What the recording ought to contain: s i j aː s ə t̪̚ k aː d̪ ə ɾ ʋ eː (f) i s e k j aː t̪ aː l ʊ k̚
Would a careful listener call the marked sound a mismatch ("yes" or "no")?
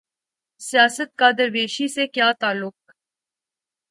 yes